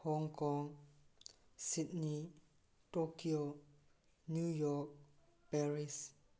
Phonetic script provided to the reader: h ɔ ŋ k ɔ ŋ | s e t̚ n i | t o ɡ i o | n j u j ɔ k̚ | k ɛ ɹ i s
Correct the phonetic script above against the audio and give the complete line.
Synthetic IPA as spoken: h ɔ ŋ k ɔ ŋ | s i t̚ n i | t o k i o | n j u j ɔ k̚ | p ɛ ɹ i s